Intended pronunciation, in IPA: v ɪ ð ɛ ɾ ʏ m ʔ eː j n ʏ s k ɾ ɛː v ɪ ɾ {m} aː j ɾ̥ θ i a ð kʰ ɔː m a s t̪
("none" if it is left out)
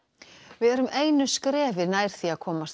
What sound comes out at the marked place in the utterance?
n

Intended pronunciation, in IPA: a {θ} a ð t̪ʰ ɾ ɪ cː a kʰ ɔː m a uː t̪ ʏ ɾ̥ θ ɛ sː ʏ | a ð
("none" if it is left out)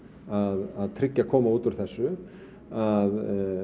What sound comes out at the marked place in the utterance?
ð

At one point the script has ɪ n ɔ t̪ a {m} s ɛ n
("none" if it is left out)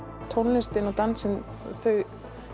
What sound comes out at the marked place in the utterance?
n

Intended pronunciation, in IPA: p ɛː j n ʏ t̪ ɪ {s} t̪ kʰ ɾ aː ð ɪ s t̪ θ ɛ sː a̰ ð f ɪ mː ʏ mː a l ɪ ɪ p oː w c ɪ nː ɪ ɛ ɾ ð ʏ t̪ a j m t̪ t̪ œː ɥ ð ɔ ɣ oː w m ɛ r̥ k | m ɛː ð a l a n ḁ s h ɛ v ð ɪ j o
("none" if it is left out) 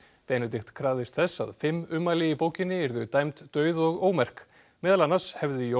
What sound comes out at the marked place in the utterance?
x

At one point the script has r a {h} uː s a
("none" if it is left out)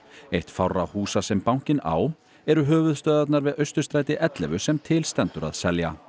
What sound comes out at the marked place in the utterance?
h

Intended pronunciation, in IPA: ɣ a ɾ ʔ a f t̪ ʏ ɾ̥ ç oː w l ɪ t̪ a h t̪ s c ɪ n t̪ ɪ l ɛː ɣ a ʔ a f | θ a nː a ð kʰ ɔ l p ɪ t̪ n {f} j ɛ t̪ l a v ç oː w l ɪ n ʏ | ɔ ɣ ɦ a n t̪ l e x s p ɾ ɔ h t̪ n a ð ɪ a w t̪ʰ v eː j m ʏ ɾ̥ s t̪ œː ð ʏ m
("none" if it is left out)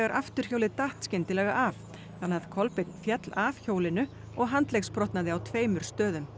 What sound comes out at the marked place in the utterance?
f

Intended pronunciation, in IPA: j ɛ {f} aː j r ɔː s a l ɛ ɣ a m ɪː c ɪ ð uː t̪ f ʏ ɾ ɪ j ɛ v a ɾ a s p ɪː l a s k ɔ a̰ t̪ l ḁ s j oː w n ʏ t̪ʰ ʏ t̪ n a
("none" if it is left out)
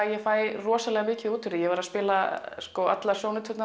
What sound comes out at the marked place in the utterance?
f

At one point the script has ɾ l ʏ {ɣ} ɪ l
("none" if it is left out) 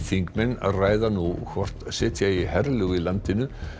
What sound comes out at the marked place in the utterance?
ɣ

